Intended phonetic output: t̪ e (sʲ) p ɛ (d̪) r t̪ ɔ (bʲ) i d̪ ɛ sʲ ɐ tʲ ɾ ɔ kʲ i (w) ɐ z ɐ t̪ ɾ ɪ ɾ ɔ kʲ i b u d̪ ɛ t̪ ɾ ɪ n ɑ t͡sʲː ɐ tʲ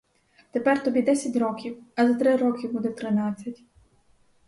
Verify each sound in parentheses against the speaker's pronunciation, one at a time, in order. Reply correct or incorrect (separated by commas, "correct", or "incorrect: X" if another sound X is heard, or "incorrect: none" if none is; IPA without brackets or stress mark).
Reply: incorrect: none, incorrect: none, correct, correct